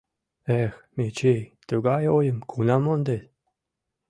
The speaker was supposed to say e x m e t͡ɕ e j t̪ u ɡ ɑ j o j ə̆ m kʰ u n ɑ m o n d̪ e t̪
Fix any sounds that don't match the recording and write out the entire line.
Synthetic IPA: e x m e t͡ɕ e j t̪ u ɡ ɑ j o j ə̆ m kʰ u n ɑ m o n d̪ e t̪